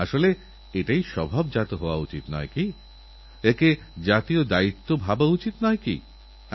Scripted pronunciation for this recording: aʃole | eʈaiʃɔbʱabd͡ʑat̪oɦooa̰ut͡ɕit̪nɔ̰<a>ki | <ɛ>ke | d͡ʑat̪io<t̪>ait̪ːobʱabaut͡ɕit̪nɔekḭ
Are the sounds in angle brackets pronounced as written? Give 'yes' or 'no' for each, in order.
no, no, no

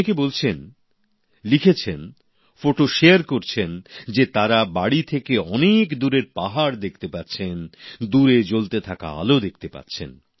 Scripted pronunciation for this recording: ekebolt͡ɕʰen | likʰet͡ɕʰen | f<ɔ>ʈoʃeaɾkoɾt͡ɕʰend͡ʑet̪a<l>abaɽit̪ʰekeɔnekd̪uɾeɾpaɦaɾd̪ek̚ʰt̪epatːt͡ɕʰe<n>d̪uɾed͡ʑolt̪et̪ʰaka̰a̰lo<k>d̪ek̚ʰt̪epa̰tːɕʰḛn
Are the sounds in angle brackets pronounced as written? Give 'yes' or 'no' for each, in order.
no, no, yes, no

